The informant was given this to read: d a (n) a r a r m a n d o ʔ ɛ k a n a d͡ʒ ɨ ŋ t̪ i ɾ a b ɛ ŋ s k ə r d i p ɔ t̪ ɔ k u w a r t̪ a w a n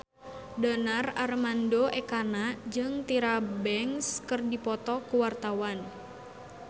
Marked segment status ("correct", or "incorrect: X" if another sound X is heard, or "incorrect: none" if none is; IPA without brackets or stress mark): correct